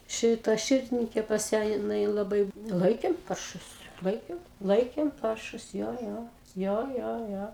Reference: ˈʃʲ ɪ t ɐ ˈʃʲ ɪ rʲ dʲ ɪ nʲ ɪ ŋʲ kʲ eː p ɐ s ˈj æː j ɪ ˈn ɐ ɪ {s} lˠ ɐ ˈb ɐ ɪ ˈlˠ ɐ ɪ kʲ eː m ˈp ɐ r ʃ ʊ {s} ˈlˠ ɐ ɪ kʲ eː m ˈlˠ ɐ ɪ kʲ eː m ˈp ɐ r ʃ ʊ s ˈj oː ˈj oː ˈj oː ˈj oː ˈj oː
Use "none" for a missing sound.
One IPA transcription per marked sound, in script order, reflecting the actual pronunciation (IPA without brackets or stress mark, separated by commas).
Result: none, s